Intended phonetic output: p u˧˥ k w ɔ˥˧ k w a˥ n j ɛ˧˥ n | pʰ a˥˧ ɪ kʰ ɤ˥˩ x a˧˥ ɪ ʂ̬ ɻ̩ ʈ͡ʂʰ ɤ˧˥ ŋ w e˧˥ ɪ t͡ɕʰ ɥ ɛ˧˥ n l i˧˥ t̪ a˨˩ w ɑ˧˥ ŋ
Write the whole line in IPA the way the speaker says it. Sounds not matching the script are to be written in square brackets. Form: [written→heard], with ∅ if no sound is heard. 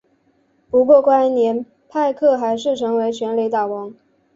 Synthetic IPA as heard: p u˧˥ k w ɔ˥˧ k w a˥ n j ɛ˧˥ n | pʰ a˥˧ ɪ kʰ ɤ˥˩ x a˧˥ ɪ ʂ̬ ɻ̩ ʈ͡ʂʰ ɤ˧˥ ŋ w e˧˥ ɪ t͡ɕʰ ɥ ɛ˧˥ n l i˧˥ t̪ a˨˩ w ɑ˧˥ ŋ

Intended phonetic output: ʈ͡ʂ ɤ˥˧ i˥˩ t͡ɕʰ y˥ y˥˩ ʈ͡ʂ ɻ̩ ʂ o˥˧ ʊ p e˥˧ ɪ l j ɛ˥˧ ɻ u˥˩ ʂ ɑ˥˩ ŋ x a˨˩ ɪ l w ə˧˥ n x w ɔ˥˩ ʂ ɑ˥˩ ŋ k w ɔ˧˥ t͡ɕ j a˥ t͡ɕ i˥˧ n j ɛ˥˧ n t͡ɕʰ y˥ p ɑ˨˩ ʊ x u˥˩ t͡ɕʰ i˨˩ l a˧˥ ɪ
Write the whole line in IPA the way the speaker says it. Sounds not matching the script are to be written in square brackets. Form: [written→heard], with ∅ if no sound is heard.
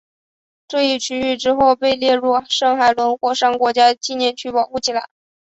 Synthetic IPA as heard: ʈ͡ʂ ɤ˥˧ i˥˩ t͡ɕʰ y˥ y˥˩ ʈ͡ʂ ɻ̩ [ʂ→x] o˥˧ ʊ p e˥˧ ɪ l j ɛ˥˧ ɻ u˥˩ ʂ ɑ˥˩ ŋ x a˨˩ ɪ l w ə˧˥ n x w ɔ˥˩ ʂ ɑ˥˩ ŋ k w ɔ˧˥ t͡ɕ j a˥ t͡ɕ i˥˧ n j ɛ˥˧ n t͡ɕʰ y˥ p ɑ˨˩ ʊ x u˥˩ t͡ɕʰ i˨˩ l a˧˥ ɪ

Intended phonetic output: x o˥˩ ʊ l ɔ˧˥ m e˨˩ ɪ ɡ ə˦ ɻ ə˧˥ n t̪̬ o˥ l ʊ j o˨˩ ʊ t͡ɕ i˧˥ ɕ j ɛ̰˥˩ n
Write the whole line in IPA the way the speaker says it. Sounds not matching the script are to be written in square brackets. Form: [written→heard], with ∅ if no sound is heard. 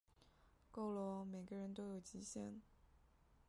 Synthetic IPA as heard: [x→k] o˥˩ ʊ l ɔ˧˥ m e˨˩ ɪ ɡ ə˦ ɻ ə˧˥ n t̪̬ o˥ [l→∅] ʊ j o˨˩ ʊ t͡ɕ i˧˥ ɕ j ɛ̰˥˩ n

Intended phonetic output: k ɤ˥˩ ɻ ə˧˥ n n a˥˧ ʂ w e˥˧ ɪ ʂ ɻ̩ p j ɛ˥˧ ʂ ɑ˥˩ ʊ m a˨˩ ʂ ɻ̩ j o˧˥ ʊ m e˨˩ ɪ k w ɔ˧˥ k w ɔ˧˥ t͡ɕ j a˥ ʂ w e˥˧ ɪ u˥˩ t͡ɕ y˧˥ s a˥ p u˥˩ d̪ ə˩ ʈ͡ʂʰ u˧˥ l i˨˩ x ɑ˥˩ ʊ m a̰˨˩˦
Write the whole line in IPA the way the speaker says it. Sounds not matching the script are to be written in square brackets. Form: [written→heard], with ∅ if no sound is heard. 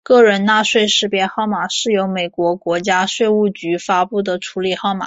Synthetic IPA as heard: k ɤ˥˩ ɻ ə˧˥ n n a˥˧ ʂ w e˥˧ ɪ ʂ ɻ̩ p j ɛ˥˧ [ʂ→x] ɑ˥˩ ʊ m a˨˩ ʂ ɻ̩ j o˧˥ ʊ m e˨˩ ɪ k w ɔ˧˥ k w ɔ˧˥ t͡ɕ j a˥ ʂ w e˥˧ ɪ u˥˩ t͡ɕ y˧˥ [s→f] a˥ p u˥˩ d̪ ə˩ ʈ͡ʂʰ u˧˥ l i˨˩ x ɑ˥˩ ʊ m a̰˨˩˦

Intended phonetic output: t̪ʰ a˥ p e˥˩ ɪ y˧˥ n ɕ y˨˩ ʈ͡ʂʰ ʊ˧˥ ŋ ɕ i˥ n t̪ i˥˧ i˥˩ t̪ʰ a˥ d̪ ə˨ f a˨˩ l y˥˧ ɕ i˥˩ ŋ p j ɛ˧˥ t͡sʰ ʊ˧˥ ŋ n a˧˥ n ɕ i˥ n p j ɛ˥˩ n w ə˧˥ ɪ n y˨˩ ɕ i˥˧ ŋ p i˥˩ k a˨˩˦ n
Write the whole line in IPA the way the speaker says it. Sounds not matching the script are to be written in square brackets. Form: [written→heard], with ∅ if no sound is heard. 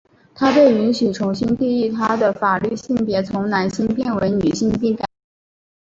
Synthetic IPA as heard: t̪ʰ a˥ p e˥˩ ɪ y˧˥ n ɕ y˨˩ ʈ͡ʂʰ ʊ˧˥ ŋ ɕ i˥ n t̪ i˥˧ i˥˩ t̪ʰ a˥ d̪ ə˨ f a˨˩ l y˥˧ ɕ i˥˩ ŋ p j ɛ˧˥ t͡sʰ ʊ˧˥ ŋ n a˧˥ n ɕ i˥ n p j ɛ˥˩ n w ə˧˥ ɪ n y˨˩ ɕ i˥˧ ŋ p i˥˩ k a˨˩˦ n

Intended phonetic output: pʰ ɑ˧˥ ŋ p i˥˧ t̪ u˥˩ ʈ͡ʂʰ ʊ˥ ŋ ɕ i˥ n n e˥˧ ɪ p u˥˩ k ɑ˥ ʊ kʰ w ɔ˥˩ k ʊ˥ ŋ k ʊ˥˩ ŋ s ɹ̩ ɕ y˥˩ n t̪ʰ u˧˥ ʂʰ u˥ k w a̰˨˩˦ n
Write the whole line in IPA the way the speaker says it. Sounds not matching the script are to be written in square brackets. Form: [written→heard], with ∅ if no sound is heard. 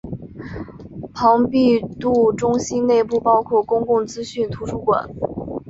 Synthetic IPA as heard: pʰ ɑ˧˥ ŋ p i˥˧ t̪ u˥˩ [ʈ͡ʂʰ→ʈ͡ʂ] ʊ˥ ŋ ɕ i˥ n n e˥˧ ɪ p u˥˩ [k→p] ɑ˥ ʊ kʰ w ɔ˥˩ k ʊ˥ ŋ k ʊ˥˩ ŋ [s→t͡s] ɹ̩ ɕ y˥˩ n t̪ʰ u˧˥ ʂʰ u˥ k w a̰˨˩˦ n

